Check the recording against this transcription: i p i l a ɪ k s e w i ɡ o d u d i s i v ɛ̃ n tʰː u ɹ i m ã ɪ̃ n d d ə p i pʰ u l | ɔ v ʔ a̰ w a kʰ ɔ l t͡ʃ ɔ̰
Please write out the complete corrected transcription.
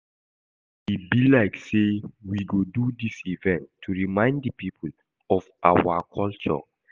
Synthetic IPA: i b i l a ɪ k s e w i ɡ o d u d i s i v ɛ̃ n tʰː u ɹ i m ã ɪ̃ n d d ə p i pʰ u l | ɔ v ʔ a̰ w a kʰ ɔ l t͡ʃ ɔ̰